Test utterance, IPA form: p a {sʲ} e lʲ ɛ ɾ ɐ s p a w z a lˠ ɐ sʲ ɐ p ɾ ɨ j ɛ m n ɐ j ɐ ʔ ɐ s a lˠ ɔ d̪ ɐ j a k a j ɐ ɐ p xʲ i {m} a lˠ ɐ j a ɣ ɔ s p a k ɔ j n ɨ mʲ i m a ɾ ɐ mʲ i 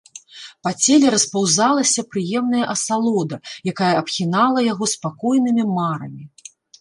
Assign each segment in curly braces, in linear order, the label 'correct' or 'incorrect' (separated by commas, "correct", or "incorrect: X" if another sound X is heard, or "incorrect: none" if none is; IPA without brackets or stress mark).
incorrect: t͡sʲ, incorrect: n